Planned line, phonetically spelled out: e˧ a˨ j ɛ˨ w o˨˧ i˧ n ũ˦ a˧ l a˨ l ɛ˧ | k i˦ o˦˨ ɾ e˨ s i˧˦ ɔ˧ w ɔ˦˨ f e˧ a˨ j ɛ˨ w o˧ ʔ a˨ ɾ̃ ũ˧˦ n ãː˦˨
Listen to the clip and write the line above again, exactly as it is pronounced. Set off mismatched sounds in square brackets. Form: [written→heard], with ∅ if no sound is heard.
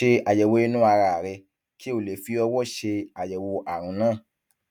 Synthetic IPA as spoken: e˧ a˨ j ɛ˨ w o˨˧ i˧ n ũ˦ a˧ [l→ɾ] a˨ [l→ɾ] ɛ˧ | k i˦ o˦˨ [ɾ→l] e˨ [s→f] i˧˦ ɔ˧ w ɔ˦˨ [f→ʃ] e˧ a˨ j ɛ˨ w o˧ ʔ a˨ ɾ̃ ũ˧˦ n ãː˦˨